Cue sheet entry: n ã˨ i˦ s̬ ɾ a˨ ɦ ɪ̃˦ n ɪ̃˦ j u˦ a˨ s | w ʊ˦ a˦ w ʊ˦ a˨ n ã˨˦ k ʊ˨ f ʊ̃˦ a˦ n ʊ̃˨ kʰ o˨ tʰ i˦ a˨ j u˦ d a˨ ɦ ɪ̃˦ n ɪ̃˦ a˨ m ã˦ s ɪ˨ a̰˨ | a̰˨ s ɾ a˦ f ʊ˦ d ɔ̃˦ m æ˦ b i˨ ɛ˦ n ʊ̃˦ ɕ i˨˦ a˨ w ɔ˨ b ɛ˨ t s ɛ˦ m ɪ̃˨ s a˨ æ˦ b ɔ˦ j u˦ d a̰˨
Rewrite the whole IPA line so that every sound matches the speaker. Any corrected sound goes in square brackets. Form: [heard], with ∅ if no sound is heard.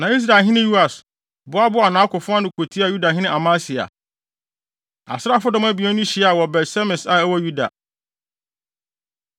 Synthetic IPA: n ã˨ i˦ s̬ ɾ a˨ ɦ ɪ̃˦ n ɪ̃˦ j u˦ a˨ s | [b] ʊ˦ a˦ [b] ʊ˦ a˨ n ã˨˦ k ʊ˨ f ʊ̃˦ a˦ n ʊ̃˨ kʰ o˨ tʰ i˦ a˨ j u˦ d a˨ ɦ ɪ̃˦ n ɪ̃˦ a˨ m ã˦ s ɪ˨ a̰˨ | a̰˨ s ɾ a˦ f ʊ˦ d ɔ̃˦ m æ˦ b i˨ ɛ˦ n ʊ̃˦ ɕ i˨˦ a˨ w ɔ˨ b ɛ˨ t s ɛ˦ m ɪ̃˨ s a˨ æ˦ [w] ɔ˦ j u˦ d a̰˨